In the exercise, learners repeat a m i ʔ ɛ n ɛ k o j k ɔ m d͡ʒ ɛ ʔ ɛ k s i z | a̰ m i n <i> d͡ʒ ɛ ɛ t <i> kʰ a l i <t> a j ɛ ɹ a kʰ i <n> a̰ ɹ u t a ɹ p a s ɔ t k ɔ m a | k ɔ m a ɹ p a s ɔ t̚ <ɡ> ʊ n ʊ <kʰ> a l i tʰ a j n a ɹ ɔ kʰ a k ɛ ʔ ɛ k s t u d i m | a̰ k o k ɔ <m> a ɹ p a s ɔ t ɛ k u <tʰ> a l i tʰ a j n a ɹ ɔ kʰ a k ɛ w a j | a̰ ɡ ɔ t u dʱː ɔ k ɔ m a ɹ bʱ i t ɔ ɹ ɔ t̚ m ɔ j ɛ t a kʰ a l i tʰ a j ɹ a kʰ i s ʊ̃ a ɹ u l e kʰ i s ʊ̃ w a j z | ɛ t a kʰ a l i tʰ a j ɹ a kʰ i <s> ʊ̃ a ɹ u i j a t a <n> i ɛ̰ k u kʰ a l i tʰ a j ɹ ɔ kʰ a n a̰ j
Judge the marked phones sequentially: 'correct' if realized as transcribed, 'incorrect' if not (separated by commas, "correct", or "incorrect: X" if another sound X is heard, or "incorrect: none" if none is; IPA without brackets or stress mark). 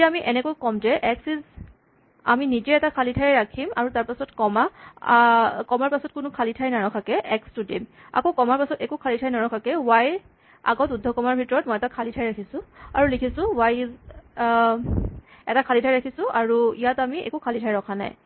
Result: correct, incorrect: a, incorrect: tʰ, incorrect: m, incorrect: k, correct, correct, incorrect: kʰ, correct, incorrect: m